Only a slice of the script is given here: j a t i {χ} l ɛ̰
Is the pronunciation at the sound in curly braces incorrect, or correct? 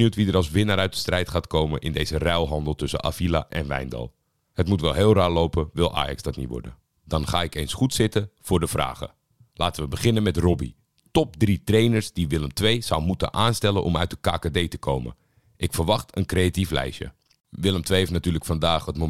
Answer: incorrect